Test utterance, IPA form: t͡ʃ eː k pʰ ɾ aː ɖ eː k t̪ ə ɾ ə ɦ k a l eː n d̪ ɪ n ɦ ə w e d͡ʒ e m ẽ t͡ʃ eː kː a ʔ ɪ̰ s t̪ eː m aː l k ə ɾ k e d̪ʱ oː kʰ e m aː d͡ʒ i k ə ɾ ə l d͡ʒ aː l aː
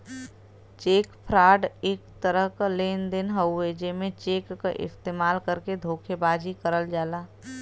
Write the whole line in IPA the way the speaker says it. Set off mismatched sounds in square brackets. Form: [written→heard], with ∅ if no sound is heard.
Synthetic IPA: t͡ʃ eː k pʰ ɾ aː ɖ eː k t̪ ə ɾ ə ɦ k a l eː n d̪ ɪ n ɦ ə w e d͡ʒ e m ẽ t͡ʃ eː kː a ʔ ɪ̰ s t̪ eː m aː l k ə ɾ k e d̪ʱ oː kʰ e [m→b] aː d͡ʒ i k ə ɾ ə l d͡ʒ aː l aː